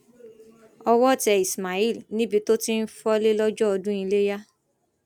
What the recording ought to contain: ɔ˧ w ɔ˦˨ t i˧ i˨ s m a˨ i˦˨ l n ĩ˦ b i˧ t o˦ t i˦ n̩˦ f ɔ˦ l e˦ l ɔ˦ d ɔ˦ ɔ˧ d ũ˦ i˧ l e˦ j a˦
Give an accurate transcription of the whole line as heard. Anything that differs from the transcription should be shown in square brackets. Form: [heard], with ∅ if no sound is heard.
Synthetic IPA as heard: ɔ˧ w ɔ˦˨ t [ɛ˧] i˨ s m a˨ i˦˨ l n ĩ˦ b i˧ t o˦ t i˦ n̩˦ f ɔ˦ l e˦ l ɔ˦ [d͡ʒ] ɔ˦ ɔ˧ d ũ˦ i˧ l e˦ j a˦